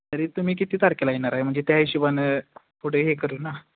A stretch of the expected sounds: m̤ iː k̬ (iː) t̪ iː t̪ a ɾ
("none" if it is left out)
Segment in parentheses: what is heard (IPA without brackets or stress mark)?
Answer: i